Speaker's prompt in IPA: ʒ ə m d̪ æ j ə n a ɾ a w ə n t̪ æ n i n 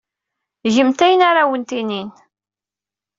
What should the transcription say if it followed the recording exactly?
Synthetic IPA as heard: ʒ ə m t̪ æ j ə n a ɾ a w ə n t̪ i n i n